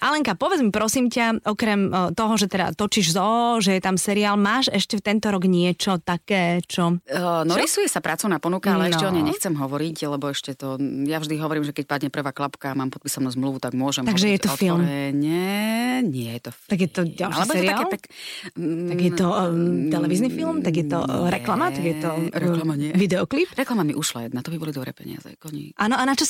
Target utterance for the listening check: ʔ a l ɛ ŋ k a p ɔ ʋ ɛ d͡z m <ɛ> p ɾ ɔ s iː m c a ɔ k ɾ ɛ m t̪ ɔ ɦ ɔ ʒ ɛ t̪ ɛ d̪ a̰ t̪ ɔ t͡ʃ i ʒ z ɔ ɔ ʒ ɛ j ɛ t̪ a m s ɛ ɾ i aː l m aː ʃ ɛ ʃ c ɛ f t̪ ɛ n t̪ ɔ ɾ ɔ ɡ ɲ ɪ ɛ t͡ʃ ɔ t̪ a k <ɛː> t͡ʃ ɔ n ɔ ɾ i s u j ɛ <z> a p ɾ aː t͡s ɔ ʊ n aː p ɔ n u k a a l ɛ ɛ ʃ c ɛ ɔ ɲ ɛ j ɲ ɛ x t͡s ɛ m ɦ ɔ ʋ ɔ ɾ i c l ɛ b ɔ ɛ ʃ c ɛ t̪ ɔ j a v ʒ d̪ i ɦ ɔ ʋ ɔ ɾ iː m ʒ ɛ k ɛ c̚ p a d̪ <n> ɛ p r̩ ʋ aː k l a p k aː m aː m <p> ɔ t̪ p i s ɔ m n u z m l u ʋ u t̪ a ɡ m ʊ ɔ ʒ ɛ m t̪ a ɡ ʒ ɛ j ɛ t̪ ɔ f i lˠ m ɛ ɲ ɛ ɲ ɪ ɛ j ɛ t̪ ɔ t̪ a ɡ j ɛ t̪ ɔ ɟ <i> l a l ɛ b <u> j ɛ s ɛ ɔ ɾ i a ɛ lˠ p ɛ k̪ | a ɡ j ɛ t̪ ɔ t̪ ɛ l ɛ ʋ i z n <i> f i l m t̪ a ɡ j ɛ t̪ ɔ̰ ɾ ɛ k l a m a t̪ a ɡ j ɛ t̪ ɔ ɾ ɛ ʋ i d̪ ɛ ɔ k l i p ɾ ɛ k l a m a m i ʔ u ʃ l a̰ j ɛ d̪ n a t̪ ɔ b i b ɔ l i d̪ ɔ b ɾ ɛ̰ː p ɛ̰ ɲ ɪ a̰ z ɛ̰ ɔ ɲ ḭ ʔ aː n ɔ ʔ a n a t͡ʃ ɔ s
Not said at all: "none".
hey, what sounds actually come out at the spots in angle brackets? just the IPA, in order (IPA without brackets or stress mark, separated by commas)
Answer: i, ɛː, s, ɲ, p, a, ɔ, i